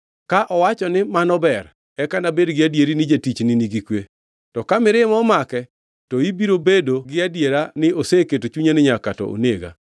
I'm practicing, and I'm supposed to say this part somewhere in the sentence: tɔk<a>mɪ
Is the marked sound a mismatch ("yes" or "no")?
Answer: no